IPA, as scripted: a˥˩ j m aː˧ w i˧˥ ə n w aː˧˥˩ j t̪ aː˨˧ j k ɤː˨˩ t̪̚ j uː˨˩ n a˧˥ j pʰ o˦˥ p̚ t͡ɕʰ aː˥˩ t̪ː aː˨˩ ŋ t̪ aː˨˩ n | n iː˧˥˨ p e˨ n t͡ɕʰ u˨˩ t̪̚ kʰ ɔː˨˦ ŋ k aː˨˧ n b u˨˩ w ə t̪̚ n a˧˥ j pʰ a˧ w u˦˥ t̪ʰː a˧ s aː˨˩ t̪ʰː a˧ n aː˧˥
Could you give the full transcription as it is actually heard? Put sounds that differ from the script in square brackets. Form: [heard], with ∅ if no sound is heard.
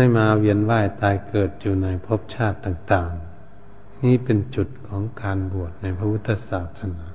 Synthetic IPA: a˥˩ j m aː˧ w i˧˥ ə n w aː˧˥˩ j t̪ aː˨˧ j k ɤː˨˩ t̪̚ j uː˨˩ n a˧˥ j pʰ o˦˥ p̚ t͡ɕʰ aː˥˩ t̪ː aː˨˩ ŋ t̪ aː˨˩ [ŋ] | n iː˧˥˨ p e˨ n [t͡ɕ] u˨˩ t̪̚ kʰ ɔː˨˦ ŋ k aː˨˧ n b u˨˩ [∅] ə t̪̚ n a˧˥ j pʰ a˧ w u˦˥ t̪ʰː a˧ s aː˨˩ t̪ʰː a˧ n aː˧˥